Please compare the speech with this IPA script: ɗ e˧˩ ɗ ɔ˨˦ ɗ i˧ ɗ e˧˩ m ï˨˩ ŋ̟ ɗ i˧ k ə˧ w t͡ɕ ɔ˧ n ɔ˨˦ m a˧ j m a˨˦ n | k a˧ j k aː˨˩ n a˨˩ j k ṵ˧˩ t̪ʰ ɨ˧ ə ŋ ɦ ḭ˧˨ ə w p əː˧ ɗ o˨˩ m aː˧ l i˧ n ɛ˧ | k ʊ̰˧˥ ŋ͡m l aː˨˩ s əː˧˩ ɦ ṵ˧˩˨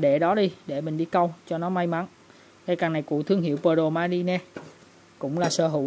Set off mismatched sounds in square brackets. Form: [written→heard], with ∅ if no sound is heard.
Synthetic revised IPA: ɗ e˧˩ ɗ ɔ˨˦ ɗ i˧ ɗ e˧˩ m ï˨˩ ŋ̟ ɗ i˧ k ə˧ w t͡ɕ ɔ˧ n ɔ˨˦ m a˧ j m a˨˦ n | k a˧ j k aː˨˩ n a˨˩ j k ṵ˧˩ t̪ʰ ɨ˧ ə ŋ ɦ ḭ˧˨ ə w p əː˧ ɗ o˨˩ m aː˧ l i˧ n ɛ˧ | k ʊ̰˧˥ ŋ͡m l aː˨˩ s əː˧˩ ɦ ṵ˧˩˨